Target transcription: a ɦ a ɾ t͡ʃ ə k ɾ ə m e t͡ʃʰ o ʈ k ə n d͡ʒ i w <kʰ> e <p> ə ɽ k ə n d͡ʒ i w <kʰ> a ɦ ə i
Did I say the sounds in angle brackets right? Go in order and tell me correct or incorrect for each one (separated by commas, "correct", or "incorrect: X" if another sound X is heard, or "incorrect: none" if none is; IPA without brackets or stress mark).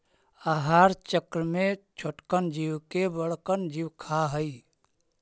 incorrect: k, incorrect: b, correct